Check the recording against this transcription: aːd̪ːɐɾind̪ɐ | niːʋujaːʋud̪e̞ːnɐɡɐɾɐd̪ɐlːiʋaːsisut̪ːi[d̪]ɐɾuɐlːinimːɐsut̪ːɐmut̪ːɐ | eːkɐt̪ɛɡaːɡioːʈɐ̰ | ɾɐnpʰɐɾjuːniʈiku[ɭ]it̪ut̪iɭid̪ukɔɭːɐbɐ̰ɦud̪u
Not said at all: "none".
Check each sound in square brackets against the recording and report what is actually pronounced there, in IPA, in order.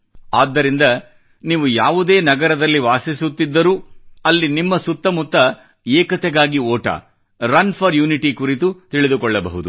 d̪ː, ɾ

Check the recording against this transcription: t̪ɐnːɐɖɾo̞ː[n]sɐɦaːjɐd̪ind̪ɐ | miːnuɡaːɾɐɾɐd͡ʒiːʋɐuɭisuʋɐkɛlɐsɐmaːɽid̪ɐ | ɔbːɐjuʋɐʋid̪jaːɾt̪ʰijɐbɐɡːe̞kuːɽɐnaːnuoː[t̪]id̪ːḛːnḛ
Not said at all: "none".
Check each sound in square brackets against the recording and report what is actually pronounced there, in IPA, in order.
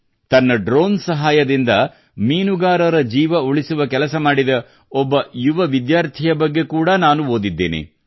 n, d̪

